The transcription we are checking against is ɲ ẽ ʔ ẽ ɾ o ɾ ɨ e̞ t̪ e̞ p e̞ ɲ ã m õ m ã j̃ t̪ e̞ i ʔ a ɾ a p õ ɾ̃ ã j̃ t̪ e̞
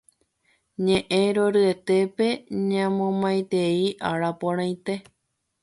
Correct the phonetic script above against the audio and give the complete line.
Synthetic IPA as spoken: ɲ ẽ ʔ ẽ ɾ o ɾ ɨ e̞ t̪ e̞ p e̞ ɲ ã m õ m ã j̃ t̪ e̞ i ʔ a ɾ a p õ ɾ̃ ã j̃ t̪ e̞